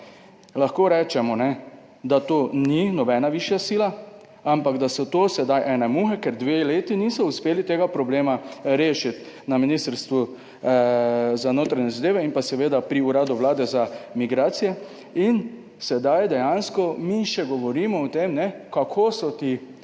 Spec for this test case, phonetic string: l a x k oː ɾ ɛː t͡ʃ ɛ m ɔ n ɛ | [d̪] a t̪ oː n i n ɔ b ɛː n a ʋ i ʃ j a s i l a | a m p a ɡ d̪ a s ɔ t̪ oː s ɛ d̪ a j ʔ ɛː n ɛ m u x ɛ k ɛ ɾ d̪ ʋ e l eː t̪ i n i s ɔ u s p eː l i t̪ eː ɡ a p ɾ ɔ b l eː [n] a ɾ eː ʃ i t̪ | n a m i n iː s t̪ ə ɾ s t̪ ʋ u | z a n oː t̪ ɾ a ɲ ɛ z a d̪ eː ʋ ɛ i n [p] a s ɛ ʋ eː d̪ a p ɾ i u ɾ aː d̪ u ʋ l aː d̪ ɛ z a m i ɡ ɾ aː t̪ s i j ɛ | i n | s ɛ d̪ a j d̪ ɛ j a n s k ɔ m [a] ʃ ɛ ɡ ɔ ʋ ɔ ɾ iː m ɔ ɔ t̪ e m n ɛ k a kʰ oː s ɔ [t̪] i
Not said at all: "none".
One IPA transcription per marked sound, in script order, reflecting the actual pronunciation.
d̪, m, p, i, t̪

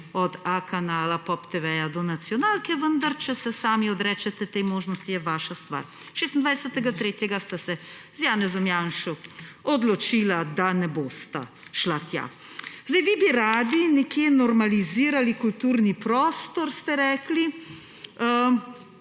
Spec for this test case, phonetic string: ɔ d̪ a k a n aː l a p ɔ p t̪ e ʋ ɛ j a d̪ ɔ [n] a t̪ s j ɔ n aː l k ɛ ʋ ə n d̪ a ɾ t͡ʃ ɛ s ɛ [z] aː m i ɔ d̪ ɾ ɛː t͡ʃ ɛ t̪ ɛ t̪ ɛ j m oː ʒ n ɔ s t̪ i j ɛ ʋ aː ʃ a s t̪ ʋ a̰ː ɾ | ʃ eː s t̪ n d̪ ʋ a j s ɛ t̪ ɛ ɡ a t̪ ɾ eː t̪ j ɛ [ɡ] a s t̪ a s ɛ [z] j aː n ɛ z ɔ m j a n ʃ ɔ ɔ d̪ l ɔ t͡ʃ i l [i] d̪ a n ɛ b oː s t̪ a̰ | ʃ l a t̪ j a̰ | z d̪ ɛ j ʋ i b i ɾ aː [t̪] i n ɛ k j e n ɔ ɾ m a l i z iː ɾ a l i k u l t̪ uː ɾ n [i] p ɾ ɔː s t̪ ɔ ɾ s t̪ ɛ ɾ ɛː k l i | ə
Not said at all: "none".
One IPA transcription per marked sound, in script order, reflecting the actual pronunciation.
n, s, ɡ, z, a, d̪, i

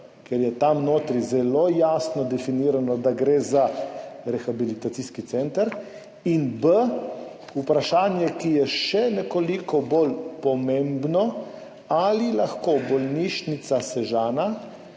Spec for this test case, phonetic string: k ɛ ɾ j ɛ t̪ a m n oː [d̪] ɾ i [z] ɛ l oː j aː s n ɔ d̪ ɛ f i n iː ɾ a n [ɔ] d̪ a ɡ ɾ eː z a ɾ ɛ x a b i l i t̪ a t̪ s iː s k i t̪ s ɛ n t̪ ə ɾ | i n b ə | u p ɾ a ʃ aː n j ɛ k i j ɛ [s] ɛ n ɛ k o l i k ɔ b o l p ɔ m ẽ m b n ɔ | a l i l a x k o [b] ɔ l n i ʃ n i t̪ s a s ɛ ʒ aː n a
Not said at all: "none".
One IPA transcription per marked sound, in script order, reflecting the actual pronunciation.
t̪, z, ɔ, ʃ, b

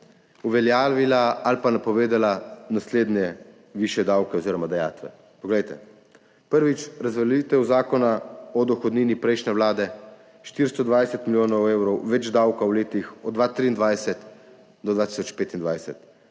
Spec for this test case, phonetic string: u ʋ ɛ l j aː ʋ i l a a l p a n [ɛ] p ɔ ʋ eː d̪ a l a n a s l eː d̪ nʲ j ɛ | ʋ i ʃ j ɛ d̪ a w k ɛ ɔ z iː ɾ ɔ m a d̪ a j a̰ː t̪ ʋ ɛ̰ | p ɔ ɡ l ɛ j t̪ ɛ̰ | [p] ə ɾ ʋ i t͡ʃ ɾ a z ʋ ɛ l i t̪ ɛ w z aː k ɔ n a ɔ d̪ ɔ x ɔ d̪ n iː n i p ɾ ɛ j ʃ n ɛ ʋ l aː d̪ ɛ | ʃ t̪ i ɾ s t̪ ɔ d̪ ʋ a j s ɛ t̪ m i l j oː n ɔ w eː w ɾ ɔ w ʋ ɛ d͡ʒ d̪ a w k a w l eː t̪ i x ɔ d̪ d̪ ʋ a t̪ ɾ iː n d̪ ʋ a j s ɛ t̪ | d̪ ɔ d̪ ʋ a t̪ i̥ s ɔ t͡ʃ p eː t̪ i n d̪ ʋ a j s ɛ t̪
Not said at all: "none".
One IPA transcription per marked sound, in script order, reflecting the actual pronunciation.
a, p

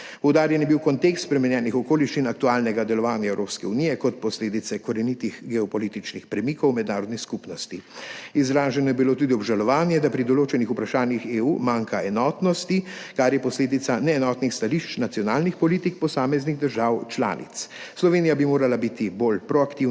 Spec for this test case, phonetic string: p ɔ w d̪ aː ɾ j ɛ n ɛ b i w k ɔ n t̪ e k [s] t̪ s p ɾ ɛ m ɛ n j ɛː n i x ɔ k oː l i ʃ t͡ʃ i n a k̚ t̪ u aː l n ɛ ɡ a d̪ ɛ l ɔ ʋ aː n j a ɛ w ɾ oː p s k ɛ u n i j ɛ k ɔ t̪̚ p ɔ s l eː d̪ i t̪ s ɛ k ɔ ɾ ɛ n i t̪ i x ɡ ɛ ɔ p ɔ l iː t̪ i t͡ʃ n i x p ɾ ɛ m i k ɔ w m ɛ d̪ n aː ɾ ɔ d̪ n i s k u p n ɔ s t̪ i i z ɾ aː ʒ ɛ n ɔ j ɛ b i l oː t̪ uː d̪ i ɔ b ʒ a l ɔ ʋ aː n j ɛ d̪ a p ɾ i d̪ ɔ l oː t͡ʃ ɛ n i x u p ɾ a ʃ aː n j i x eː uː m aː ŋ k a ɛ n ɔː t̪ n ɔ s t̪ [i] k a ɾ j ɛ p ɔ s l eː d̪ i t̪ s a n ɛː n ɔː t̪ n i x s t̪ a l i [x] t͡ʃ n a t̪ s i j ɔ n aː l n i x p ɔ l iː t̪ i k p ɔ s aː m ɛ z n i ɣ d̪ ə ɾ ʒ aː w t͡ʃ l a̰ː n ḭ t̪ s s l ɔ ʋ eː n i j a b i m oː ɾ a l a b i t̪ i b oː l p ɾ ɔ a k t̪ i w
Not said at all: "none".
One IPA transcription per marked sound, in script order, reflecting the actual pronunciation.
s, i, ʃ

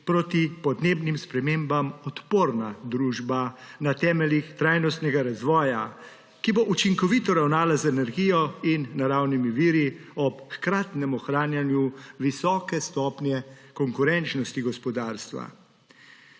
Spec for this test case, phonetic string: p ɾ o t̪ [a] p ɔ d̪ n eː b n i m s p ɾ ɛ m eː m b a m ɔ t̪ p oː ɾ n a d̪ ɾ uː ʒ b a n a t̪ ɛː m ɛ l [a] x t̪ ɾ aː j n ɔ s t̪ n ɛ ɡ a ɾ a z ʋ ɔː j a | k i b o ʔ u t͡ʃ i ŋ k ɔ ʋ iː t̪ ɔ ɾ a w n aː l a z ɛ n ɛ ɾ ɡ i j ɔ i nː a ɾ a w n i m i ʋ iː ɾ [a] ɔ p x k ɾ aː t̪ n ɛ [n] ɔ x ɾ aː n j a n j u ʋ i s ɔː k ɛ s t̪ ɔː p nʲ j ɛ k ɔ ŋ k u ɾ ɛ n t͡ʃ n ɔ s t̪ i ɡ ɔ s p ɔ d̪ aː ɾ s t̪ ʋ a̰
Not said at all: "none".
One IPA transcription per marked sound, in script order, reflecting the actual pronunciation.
i, i, i, m

